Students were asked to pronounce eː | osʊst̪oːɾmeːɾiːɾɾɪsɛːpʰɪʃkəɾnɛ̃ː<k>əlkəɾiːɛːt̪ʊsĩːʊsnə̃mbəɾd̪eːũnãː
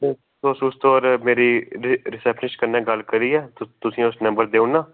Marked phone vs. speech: incorrect: ɡ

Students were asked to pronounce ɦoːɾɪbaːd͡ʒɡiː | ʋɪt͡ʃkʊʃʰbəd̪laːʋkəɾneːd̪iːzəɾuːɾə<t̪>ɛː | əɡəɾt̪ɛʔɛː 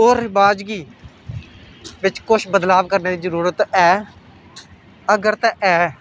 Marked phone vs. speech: correct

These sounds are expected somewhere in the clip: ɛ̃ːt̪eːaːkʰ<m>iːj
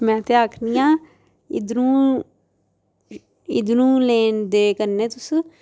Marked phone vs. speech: incorrect: n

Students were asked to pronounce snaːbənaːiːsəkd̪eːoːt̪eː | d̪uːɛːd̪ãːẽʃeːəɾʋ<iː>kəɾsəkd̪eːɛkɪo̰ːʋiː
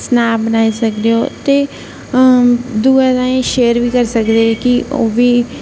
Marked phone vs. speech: correct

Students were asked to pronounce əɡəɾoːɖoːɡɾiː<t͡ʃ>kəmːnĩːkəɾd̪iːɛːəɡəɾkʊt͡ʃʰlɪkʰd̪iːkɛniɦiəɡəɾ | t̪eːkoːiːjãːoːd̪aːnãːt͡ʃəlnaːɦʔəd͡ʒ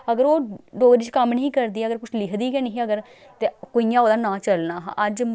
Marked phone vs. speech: correct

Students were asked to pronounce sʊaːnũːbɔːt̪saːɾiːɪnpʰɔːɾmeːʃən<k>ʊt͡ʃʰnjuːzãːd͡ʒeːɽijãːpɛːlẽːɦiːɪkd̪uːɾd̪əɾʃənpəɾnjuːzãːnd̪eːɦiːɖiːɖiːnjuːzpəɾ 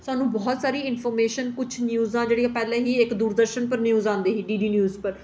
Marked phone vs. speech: correct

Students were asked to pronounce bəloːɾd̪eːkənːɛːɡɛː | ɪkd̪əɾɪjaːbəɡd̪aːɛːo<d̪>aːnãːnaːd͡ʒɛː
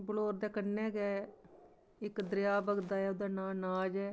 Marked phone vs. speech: correct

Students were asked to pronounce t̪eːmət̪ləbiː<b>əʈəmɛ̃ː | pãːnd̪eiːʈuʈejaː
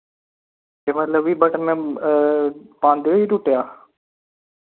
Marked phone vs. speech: correct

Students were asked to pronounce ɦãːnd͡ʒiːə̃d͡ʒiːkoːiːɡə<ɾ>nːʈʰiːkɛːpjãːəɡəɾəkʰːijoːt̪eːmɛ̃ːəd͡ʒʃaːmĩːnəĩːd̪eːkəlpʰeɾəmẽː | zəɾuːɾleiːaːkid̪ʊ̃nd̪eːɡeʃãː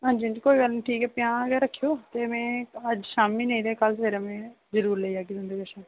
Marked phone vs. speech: incorrect: l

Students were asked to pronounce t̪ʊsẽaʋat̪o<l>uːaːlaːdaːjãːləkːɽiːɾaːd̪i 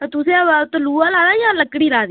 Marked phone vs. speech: correct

